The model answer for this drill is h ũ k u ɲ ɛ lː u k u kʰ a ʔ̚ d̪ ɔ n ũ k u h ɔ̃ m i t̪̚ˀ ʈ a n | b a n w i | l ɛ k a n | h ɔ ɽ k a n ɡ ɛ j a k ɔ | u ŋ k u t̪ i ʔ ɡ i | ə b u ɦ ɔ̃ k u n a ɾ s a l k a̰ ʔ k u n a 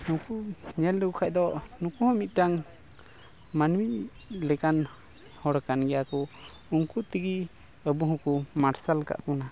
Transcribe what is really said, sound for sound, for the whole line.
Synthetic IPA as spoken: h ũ k u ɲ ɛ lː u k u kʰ a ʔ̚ d̪ ɔ n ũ k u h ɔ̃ m i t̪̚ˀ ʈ a ŋ | m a n w i | l ɛ k a n | h ɔ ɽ k a n ɡ ɛ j a k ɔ | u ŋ k u t̪ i ɡ i | ə b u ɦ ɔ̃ k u m a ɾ s a l k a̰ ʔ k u n a